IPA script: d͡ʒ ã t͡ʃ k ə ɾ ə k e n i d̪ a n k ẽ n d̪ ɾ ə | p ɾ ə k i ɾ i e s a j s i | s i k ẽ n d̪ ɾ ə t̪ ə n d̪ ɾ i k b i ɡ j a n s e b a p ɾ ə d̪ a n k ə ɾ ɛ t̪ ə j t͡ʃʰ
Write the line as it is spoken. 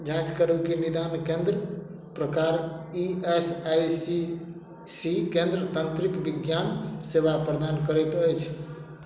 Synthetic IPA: d͡ʒ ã t͡ʃ k ə ɾ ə k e n i d̪ a n k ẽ n d̪ ɾ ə | p ɾ ə k a ɾ i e s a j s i | s i k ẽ n d̪ ɾ ə t̪ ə n t̪ ɾ i k b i ɡ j a n s e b a p ɾ ə d̪ a n k ə ɾ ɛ t̪ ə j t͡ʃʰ

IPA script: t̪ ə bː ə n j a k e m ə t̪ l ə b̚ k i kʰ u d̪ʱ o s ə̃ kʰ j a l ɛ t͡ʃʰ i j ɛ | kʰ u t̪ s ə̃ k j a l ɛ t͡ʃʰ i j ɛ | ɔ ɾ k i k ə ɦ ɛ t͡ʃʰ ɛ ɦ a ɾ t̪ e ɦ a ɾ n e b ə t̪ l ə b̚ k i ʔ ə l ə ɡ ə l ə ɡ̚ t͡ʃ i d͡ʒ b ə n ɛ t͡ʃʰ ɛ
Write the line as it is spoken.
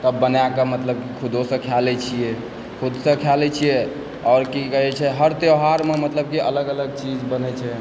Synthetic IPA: t̪ ə bː ə n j a k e m ə t̪ l ə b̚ k i kʰ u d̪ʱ o s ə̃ kʰ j a l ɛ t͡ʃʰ i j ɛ | kʰ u d̪ s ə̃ kʰ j a l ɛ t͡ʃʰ i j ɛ | ɔ ɾ k i k ə ɦ ɛ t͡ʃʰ ɛ ɦ ə ɾ t̪ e ɦ a ɾ m e m ə t̪ l ə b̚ k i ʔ ə l ə ɡ ə l ə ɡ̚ t͡ʃ i d͡ʒ b ə n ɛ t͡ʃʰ ɛ

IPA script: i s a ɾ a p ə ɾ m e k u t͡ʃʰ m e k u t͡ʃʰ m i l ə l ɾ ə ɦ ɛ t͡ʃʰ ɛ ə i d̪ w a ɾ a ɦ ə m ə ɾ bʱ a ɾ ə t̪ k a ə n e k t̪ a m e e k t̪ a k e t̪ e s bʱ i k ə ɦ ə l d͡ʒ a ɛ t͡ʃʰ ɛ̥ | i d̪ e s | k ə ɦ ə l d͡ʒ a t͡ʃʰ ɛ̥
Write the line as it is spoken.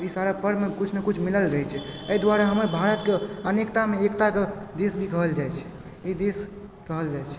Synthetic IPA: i s a ɾ a p ə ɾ m e k u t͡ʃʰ m e k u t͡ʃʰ m i l ə l ɾ ə ɦ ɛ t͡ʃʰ ɛ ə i d̪ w a ɾ a ɦ ə m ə ɾ bʱ a ɾ ə t̪ k e ə n e k t̪ a m e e k t̪ a k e d̪ e s bʱ i k ə ɦ ə l d͡ʒ a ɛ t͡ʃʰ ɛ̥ | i d̪ e s | k ə ɦ ə l d͡ʒ a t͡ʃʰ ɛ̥

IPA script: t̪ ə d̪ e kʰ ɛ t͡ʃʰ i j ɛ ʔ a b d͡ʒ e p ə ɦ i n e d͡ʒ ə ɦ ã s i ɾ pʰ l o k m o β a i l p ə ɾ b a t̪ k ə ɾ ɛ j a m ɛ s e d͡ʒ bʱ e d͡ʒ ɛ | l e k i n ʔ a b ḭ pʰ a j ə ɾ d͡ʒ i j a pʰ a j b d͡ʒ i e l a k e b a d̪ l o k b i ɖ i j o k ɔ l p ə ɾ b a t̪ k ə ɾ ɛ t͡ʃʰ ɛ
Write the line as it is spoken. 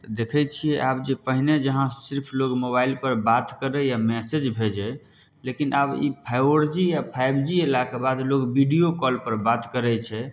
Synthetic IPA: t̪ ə d̪ e kʰ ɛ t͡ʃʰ i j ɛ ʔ a b d͡ʒ e p ə ɦ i n e d͡ʒ ə ɦ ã s i ɾ pʰ l o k m o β a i l p ə ɾ b a t̪ k ə ɾ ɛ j a m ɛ s e d͡ʒ bʱ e d͡ʒ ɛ | l e k i n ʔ a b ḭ pʰ a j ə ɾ d͡ʒ i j a pʰ a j b d͡ʒ i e l a k e b a d̪ l o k b i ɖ i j o k ɔ l p ə ɾ b a t̪ k ə ɾ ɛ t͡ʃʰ ɛ

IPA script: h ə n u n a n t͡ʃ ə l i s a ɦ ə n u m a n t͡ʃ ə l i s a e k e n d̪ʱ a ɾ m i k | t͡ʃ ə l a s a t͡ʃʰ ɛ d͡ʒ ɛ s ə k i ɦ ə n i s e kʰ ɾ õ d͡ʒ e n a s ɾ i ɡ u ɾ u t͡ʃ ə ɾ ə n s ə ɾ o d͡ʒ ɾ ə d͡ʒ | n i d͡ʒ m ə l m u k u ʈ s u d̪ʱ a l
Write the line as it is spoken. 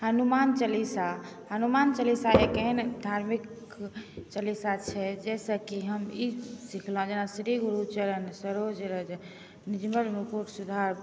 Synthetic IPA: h ə n u m a n t͡ʃ ə l i s a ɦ ə n u m a n t͡ʃ ə l i s a e k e n d̪ʱ a ɾ m i k | t͡ʃ ə l i s a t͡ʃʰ ɛ d͡ʒ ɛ s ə k i ɦ ə m i s i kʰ l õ d͡ʒ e n a s ɾ i ɡ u ɾ u t͡ʃ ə ɾ ə n s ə ɾ o d͡ʒ ɾ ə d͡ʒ | n i d͡ʒ m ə l m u k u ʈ s u d̪ʱ a ɾ

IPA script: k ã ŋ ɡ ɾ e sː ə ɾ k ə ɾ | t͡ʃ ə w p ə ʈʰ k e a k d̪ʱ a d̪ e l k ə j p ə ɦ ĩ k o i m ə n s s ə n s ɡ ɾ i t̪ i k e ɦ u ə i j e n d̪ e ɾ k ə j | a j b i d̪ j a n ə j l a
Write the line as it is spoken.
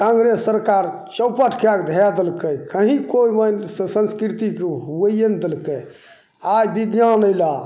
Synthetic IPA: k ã ŋ ɡ ɾ e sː ə ɾ k a ɾ | t͡ʃ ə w p ə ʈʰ k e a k d̪ʱ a d̪ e l k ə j k ə ɦ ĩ k o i m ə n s s ə n s k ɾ i t̪ i k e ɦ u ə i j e n d̪ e l k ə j | a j b i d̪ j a n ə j l a

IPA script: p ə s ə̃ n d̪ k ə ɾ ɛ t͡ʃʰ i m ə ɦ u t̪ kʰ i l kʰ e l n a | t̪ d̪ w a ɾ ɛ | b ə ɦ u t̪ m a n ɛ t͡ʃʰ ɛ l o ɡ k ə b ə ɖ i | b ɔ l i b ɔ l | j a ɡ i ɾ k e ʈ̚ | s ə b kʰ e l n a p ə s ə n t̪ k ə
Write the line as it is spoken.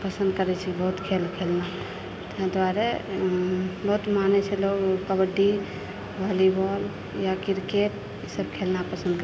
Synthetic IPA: p ə s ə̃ n d̪ k ə ɾ ɛ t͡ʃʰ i b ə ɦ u t̪ kʰ e l kʰ e l n a | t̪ d̪ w a ɾ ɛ | b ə ɦ u t̪ m a n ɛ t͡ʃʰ ɛ l o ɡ k ə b ə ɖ i | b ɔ l i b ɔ l | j a k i ɾ k e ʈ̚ | s ə b kʰ e l n a p ə s ə n d̪ k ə

